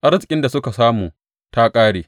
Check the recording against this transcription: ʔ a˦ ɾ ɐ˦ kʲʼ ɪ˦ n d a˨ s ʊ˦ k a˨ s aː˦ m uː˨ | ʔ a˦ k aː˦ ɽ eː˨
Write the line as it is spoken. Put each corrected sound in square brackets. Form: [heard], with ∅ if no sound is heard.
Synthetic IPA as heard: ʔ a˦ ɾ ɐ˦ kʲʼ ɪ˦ n d a˨ s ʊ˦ k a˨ s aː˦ m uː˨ | [t] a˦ [kʼ] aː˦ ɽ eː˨